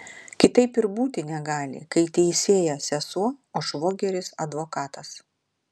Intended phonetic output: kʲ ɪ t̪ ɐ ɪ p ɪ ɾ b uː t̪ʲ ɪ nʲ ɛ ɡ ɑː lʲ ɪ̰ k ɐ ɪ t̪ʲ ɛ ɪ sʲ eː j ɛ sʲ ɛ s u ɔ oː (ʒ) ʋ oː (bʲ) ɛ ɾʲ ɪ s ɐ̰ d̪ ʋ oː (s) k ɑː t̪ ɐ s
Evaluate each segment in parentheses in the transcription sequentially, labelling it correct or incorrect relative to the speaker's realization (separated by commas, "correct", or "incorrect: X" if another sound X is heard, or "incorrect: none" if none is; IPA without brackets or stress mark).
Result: incorrect: ʃ, incorrect: ɡʲ, incorrect: none